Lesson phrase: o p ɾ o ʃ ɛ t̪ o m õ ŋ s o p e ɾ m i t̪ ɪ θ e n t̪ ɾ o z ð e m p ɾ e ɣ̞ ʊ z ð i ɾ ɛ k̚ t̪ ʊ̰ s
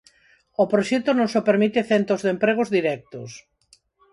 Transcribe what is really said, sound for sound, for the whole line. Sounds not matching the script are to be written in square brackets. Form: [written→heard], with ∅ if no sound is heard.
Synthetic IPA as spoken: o p ɾ o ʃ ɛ t̪ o [m→n] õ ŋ s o p e ɾ m i t̪ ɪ θ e n t̪ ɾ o z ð e m p ɾ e ɣ̞ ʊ z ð i ɾ ɛ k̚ t̪ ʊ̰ s